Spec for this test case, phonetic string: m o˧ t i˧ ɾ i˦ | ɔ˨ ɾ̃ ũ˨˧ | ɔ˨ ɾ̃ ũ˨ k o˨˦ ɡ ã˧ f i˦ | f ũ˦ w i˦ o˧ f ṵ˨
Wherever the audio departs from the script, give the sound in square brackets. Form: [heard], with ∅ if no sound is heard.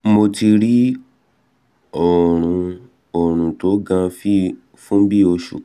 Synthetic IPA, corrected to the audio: m o˧ t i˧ ɾ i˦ | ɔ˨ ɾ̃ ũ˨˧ | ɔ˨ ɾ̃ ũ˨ [t] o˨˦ ɡ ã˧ f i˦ | f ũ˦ [b] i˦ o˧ [ʃ] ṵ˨